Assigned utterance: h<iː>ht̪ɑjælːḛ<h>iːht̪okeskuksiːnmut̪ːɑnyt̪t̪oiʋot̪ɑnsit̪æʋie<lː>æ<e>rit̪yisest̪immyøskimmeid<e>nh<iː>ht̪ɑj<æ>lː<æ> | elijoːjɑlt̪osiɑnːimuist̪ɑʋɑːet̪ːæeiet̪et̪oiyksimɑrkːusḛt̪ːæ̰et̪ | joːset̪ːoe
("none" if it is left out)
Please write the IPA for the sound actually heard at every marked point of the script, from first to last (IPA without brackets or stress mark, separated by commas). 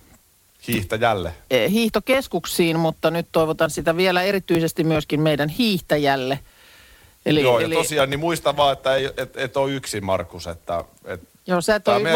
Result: iː, h, l, e, æ, iː, æ, e